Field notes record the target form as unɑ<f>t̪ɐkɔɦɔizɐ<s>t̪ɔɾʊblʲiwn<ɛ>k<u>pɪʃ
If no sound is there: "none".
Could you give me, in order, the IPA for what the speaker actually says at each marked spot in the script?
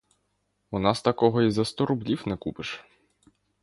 s, s, ɛ, u

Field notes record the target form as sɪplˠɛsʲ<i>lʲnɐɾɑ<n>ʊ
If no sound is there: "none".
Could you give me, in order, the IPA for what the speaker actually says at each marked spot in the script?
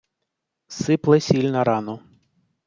i, n

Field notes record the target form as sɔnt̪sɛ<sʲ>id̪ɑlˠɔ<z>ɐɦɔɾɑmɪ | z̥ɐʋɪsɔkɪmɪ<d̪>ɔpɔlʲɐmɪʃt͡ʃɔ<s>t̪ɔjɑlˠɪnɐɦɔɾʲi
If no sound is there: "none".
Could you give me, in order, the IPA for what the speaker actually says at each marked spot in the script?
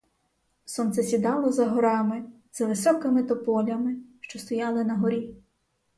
sʲ, z, t̪, s

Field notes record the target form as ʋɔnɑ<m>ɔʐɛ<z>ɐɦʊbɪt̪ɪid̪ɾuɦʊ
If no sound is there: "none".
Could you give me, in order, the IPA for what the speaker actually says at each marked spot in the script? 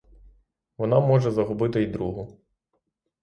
m, z

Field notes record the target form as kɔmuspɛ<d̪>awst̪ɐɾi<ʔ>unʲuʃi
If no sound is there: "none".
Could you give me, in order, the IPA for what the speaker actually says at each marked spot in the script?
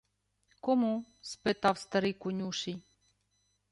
t̪, k

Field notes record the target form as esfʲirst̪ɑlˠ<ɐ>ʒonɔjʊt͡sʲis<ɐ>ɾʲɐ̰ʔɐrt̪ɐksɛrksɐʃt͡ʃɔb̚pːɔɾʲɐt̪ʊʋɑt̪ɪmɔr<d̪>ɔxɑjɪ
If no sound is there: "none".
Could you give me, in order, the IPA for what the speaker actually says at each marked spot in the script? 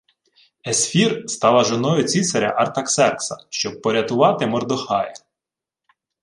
ɐ, ɐ, d̪

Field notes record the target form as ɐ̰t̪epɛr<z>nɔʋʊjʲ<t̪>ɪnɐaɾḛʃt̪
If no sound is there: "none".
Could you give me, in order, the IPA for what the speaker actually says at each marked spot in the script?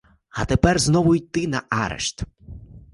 z, t̪

